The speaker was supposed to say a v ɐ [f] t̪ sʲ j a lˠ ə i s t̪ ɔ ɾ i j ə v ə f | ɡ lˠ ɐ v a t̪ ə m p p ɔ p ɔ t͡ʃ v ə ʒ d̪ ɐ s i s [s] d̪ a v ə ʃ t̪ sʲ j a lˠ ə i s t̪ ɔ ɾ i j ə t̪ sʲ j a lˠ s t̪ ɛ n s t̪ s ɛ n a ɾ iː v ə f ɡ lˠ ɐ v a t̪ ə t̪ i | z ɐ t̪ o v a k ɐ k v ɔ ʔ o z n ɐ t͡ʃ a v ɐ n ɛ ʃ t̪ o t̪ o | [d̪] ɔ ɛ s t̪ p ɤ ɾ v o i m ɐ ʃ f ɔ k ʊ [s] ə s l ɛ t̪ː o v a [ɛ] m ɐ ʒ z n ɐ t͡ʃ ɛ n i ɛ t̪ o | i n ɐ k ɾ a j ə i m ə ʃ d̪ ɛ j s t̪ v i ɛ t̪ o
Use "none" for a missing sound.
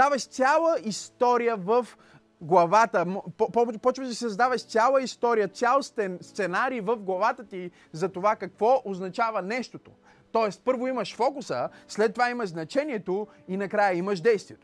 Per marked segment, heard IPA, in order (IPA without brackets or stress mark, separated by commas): ʃ, z, t̪, s, i